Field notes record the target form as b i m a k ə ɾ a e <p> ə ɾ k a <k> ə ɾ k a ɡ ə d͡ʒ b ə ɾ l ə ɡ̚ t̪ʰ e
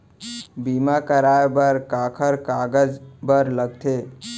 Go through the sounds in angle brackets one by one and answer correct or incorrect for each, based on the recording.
incorrect, incorrect

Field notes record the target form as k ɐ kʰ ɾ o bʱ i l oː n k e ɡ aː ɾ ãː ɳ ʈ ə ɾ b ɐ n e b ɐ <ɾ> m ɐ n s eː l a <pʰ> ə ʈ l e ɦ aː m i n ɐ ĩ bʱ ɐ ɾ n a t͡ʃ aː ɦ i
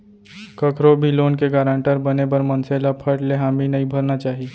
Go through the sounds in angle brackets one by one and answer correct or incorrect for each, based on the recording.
correct, correct

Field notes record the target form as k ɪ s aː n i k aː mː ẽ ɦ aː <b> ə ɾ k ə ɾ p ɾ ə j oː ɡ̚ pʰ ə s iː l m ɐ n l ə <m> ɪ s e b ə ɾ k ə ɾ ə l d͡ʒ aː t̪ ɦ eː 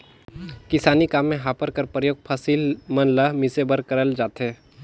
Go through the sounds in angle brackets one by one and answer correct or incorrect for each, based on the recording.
incorrect, correct

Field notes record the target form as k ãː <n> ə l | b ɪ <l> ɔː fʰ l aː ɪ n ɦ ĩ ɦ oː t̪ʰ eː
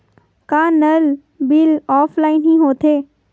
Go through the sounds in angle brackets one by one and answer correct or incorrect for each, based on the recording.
correct, correct

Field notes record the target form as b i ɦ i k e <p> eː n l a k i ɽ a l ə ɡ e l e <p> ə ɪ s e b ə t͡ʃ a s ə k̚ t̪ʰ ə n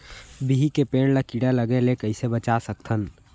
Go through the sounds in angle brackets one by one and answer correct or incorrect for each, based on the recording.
correct, incorrect

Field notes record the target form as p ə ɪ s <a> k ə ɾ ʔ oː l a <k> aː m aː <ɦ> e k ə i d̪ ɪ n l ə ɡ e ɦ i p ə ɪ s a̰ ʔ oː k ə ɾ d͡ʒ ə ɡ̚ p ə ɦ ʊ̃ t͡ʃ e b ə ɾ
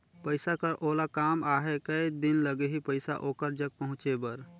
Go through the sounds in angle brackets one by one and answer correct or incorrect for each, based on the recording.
correct, correct, correct

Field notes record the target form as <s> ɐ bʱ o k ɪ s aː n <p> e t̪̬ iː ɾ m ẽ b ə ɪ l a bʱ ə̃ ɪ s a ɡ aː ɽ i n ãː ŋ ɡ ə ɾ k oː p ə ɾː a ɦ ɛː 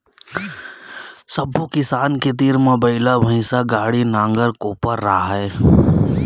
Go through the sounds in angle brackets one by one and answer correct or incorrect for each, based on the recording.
correct, incorrect

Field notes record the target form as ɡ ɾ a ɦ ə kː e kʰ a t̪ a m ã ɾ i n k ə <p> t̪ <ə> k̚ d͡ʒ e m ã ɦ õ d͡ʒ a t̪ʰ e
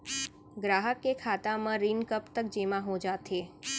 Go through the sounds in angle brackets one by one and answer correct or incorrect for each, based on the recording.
correct, correct

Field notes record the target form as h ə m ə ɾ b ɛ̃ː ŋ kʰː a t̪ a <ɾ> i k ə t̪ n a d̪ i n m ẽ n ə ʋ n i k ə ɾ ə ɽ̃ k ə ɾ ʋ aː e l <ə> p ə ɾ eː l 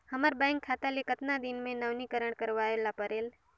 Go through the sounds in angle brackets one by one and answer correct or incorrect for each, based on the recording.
incorrect, incorrect

